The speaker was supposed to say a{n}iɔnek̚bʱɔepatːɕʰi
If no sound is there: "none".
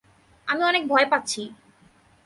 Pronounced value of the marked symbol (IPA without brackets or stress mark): m